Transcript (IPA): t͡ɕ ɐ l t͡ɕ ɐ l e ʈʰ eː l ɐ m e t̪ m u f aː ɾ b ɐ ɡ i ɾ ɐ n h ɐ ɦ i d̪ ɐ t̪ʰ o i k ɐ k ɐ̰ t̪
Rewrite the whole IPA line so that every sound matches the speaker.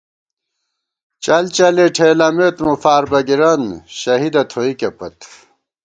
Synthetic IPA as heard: t͡ɕ ɐ l t͡ɕ ɐ l e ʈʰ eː l ɐ m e t̪ m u f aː ɾ b ɐ ɡ i ɾ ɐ n ɕ ɐ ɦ i d̪ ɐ t̪ʰ o i k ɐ p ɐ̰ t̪